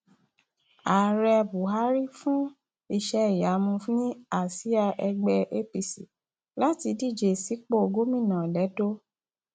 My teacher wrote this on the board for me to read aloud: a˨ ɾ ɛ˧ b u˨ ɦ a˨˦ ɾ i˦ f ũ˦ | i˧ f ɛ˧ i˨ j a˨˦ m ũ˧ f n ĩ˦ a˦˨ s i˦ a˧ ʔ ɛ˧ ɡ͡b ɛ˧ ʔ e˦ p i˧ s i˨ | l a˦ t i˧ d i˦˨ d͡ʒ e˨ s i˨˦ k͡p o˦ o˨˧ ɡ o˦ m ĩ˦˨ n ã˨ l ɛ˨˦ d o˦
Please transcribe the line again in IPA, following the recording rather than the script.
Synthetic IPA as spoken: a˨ ɾ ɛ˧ b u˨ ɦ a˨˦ ɾ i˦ f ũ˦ | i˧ ʃ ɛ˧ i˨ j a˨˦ m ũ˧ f n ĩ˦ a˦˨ s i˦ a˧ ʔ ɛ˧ ɡ͡b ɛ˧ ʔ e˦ p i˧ s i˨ | l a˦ t i˧ d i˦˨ d͡ʒ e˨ s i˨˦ k͡p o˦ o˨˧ ɡ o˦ m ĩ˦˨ n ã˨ l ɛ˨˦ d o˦